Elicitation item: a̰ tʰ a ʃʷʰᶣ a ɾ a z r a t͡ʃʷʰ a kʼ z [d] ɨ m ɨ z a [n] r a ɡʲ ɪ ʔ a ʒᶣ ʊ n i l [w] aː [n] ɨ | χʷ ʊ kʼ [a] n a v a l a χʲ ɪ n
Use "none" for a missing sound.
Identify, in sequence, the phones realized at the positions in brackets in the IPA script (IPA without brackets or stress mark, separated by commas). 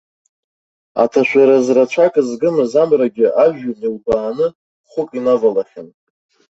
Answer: ɡ, m, b, n, i